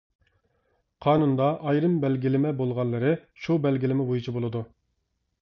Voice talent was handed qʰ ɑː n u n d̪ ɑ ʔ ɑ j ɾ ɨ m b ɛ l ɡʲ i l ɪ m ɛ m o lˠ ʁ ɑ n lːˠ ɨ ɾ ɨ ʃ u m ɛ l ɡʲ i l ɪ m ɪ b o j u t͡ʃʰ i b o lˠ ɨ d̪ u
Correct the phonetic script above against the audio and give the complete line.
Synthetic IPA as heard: qʰ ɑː n u n d̪ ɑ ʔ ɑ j ɾ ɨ m b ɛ l ɡʲ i l ɪ m ɛ b o lˠ ʁ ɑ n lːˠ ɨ ɾ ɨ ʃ u b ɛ l ɡʲ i l ɪ m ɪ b o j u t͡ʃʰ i b o lˠ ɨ d̪ u